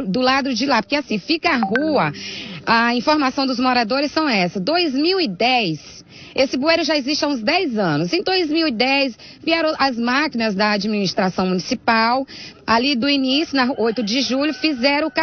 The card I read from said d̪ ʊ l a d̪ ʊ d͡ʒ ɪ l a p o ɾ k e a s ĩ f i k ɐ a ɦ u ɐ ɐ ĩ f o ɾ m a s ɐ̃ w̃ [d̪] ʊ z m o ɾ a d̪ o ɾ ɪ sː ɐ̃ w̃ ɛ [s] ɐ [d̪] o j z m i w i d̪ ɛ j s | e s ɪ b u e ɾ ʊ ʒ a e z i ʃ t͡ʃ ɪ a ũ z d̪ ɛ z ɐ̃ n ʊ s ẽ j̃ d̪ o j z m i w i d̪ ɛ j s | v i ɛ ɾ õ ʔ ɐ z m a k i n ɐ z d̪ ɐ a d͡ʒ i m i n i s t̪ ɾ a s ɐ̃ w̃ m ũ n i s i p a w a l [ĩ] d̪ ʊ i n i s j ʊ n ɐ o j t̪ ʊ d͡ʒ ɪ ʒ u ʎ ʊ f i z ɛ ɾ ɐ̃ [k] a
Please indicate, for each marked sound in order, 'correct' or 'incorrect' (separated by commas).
correct, correct, correct, incorrect, correct